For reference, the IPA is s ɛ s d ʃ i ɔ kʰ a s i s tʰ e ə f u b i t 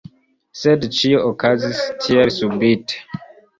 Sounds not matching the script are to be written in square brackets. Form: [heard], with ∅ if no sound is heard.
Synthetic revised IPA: s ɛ [∅] d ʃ i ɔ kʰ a [z] i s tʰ [i] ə [s] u b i t